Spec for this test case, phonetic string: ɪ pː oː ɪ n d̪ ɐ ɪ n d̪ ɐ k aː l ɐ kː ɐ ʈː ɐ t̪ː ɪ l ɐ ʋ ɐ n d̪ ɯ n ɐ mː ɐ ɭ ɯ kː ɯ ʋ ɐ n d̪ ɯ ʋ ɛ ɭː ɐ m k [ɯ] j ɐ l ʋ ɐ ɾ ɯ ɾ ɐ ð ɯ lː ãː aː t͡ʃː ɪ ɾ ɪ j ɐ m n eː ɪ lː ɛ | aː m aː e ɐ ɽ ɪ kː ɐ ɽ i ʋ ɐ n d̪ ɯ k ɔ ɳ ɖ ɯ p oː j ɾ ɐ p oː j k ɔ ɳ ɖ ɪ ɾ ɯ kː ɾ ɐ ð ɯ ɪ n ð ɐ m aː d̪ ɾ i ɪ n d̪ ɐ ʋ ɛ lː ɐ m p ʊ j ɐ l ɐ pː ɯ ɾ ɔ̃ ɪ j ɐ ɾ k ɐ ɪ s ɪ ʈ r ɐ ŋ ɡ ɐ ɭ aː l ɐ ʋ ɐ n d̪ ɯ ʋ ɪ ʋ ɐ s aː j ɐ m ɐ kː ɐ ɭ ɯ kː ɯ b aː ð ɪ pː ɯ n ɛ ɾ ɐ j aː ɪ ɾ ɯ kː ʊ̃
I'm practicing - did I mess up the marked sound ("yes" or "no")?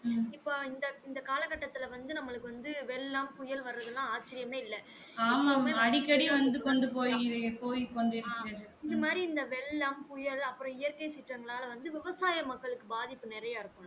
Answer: yes